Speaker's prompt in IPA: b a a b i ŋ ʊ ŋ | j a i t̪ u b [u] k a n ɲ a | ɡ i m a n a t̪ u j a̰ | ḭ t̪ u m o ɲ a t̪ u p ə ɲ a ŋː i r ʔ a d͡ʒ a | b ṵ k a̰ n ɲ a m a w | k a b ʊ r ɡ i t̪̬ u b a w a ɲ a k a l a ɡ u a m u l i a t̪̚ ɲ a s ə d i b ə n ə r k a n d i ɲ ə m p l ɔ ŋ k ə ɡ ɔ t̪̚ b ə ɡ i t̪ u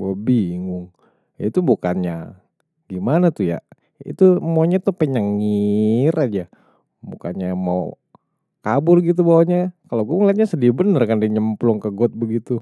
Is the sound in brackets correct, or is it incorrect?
correct